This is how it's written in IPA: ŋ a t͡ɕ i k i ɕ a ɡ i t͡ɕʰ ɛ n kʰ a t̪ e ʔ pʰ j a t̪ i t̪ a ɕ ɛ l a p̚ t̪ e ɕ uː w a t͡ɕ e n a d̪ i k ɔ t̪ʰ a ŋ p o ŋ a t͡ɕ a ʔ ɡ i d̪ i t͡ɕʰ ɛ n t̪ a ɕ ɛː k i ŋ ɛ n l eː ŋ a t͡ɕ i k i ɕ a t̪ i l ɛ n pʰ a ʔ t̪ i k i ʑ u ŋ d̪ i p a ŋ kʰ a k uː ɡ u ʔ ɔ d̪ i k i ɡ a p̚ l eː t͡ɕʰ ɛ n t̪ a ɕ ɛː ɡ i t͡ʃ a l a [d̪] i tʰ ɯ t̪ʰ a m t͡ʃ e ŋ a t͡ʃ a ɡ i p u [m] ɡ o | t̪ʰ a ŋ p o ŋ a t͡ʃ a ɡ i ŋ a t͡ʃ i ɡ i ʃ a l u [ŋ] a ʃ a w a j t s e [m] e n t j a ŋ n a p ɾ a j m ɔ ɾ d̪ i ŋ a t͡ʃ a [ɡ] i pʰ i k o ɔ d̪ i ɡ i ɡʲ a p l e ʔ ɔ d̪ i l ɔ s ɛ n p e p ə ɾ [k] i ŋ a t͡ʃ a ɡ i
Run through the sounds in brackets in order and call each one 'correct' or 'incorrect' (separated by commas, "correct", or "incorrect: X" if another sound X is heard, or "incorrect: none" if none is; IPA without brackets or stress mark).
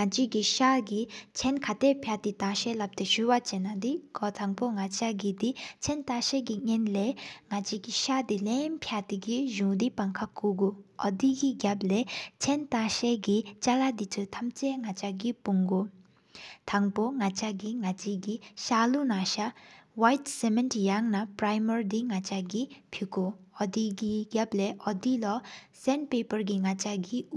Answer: correct, incorrect: ŋ, incorrect: n, correct, correct, incorrect: ɡ